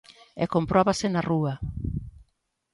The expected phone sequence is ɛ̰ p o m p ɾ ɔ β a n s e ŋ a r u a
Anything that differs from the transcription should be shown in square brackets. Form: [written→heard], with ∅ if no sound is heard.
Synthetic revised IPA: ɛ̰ [p→k] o m p ɾ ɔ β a [n→∅] s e [ŋ→n] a r u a